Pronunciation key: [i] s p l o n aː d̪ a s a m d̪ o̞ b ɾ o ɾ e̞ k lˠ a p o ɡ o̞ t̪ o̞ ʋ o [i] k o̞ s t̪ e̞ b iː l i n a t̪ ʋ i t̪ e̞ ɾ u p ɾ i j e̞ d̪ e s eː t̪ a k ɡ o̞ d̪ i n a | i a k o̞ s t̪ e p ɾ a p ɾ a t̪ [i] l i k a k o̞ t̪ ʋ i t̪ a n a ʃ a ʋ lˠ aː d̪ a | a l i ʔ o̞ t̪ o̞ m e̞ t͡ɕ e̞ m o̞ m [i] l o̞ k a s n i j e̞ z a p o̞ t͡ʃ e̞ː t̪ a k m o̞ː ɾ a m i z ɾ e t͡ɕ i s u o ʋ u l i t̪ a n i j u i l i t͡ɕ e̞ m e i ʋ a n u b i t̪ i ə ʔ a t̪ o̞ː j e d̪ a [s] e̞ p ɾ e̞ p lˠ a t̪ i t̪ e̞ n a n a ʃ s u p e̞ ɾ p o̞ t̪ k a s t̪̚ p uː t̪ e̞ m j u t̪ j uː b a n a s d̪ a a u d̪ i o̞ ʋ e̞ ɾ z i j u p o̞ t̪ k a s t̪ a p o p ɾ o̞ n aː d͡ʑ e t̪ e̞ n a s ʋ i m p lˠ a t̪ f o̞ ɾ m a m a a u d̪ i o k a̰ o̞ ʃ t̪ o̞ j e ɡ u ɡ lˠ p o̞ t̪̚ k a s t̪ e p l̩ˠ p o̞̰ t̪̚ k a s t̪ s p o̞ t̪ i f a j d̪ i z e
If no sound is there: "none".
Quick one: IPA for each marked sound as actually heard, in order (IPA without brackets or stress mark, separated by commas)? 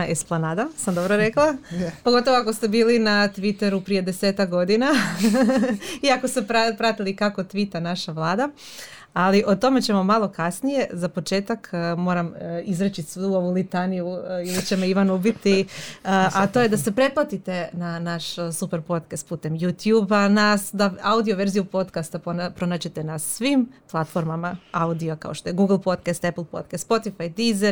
e, a, i, a, s